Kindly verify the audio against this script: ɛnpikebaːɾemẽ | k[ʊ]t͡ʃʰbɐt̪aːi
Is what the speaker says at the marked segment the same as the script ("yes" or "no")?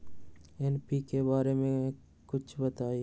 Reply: yes